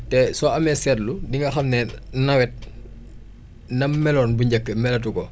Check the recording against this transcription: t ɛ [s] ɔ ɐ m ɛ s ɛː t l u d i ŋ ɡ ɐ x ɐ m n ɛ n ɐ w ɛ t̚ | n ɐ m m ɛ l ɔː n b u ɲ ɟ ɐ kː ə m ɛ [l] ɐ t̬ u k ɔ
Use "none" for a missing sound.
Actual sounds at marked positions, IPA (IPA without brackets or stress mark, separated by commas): s, l